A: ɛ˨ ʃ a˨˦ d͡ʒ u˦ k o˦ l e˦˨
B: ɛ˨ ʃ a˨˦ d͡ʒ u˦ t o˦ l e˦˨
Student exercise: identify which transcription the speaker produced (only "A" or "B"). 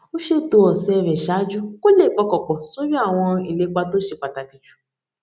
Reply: A